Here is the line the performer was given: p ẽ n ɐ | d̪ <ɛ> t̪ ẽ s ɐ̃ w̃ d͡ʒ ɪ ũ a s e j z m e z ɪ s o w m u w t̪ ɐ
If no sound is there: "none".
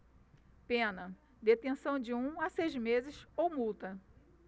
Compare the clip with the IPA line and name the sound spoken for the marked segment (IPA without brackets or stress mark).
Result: e